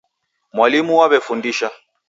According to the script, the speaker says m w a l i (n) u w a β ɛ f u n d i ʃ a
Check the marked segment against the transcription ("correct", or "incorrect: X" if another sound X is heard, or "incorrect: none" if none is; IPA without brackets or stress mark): incorrect: m